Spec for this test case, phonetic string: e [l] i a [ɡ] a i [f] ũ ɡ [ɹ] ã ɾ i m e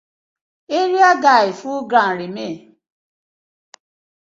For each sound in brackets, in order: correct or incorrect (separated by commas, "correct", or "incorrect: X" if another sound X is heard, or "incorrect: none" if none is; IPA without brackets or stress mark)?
incorrect: ɾ, correct, correct, incorrect: ɾ